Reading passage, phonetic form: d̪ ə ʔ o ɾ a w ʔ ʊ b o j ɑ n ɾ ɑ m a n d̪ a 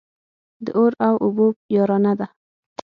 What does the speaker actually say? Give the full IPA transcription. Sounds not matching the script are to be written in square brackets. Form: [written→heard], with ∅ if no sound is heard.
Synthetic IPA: d̪ ə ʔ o ɾ a w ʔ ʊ b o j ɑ [n→∅] ɾ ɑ [m→n] a [n→∅] d̪ a